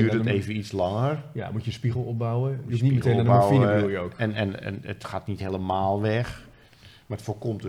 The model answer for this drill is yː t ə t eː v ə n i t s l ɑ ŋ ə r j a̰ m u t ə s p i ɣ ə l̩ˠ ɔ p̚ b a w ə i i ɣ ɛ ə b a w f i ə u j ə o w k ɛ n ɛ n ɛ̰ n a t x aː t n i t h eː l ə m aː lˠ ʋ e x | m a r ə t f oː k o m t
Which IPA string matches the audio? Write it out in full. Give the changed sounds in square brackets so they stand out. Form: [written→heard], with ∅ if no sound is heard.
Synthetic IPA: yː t ə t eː v ə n i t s l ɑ ŋ ə r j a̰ m u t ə s p i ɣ ə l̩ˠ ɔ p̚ b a w ə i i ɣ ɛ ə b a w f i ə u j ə o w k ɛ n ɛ n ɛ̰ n [a→ə] t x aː t n i t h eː l ə m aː lˠ ʋ [e→ɛ] x | m a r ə t f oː k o m t